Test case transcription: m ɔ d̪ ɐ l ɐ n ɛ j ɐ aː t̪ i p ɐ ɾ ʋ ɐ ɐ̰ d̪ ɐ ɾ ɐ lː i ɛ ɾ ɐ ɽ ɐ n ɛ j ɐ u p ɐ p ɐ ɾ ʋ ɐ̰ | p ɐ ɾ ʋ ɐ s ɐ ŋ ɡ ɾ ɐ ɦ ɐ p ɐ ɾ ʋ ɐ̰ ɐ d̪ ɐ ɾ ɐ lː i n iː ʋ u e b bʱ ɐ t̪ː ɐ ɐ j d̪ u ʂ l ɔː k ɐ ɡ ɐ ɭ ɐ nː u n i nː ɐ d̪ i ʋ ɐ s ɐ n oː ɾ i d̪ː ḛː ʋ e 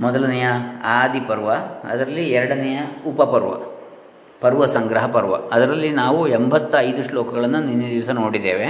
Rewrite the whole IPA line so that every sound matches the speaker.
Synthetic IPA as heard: m ɔ d̪ ɐ l ɐ n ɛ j ɐ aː d̪ i p ɐ ɾ ʋ ɐ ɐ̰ d̪ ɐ ɾ ɐ lː i ɛ ɾ ɐ ɽ ɐ n ɛ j ɐ u p ɐ p ɐ ɾ ʋ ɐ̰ | p ɐ ɾ ʋ ɐ s ɐ ŋ ɡ ɾ ɐ ɦ ɐ p ɐ ɾ ʋ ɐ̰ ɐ d̪ ɐ ɾ ɐ lː i n aː ʋ u e m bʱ ɐ t̪ː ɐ ɐ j d̪ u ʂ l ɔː k ɐ ɡ ɐ ɭ ɐ nː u n i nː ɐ d̪ i ʋ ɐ s ɐ n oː ɽ i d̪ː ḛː ʋ e